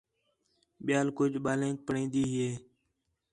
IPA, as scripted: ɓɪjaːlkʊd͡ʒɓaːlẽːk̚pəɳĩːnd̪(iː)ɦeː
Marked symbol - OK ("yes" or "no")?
yes